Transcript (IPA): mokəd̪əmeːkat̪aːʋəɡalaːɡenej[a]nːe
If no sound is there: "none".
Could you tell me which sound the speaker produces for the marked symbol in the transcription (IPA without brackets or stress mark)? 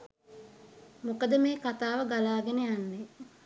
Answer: a